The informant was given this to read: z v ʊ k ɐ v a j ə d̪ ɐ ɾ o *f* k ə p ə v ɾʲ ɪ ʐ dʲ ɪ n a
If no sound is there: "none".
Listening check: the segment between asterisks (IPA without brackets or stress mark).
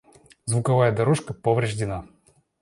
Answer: ʂ